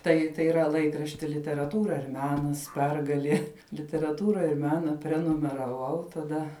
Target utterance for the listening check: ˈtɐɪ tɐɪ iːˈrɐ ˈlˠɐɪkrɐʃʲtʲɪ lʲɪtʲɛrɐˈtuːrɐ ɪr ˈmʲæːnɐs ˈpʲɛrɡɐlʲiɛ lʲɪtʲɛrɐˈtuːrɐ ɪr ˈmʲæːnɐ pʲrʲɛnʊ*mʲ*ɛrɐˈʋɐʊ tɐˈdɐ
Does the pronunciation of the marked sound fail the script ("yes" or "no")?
no